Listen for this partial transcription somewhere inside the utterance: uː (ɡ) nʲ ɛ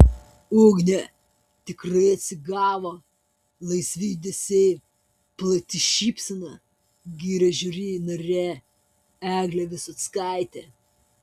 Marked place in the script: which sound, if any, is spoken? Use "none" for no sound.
ɡ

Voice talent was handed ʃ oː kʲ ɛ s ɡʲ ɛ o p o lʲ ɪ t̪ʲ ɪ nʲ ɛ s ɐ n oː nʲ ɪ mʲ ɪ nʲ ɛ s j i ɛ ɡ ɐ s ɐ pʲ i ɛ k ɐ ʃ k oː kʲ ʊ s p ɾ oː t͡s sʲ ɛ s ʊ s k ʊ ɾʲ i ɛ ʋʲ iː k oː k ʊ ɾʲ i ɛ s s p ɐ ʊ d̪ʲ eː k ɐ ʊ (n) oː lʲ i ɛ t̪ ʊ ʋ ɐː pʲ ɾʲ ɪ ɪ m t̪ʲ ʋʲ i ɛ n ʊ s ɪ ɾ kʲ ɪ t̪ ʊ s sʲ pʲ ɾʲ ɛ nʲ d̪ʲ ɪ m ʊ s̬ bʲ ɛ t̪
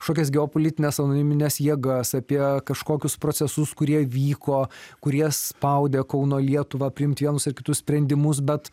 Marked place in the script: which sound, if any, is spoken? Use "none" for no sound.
n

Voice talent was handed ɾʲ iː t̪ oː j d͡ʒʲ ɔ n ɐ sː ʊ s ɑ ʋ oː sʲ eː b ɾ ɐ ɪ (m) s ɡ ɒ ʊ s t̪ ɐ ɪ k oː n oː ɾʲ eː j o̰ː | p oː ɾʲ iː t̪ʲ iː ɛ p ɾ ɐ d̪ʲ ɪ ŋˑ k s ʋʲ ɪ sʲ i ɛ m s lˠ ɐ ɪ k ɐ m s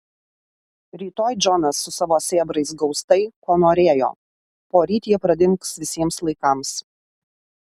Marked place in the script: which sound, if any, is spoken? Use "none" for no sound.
none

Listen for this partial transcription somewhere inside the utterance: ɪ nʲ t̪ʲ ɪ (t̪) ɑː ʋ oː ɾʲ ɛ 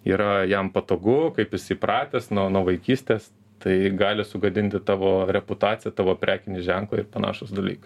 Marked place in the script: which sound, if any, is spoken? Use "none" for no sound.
t̪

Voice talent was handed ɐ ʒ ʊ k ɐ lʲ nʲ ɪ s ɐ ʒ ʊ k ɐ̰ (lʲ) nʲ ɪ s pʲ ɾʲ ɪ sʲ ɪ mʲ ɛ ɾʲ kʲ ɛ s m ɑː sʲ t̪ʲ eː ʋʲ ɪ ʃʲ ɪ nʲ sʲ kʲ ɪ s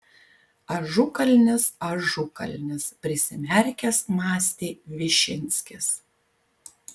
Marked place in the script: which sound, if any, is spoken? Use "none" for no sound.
lʲ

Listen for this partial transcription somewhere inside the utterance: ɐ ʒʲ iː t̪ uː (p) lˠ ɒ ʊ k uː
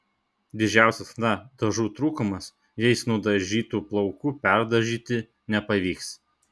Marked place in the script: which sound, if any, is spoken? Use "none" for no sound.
p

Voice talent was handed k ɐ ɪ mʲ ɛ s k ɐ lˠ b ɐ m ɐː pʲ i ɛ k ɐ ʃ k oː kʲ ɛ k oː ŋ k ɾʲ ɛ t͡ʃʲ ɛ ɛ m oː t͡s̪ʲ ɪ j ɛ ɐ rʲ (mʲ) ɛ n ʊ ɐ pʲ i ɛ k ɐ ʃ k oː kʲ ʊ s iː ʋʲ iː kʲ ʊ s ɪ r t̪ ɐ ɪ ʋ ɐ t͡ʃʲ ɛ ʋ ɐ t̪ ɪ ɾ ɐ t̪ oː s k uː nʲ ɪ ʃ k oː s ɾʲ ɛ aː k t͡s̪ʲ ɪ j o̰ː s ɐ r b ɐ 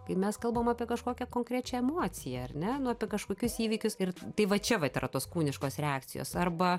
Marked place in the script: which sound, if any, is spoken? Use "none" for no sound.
nʲ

